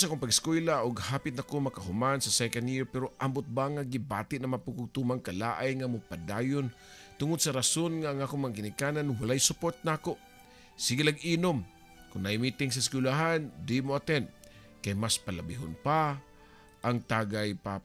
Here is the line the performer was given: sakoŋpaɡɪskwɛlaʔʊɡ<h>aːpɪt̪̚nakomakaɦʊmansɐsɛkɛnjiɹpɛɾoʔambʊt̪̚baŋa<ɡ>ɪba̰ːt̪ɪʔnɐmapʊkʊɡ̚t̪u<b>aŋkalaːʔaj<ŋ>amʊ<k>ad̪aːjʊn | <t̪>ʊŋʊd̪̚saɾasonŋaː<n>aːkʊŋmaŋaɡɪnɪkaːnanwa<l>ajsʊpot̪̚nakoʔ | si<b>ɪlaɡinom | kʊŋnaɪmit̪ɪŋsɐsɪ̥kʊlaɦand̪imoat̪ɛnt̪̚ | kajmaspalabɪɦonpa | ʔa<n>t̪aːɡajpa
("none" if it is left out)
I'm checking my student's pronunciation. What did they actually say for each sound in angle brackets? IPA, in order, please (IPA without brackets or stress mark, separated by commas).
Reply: h, ɡ, m, ŋ, p, t̪, ŋ, l, ɡ, ŋ